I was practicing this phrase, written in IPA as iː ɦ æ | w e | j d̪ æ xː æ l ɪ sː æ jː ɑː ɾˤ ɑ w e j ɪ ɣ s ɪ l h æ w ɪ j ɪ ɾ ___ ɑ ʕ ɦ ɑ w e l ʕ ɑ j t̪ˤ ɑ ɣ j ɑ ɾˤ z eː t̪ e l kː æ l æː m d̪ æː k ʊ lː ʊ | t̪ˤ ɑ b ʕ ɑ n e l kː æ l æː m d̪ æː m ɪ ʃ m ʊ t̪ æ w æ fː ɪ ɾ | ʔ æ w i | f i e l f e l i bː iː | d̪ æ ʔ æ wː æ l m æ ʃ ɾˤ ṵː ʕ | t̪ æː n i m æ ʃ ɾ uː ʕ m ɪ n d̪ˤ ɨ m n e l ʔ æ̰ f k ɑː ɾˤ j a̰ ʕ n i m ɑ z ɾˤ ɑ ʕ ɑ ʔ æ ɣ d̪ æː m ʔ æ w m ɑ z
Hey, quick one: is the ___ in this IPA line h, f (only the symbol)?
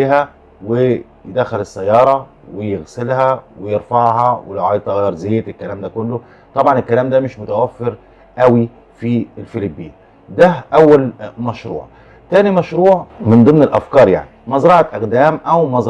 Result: f